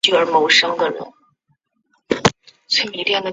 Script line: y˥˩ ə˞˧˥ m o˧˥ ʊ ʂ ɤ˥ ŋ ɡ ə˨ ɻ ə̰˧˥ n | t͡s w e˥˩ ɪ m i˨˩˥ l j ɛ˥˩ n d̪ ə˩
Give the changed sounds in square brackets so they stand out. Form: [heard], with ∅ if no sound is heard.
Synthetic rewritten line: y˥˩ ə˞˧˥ m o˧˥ ʊ ʂ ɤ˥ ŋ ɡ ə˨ ɻ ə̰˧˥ n | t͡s w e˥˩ ɪ m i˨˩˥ l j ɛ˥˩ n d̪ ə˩